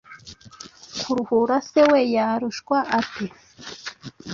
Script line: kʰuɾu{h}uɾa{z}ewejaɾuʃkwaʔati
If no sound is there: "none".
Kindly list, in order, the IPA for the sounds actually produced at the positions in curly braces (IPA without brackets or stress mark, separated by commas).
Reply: h, s